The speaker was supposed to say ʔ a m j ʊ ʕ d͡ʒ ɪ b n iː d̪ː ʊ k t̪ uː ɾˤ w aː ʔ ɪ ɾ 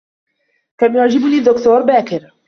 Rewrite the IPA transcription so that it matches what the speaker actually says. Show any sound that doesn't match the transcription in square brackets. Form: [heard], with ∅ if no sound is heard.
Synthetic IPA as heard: [k] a m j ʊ ʕ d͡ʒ ɪ b n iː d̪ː ʊ k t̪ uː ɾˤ [b] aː [k] ɪ ɾ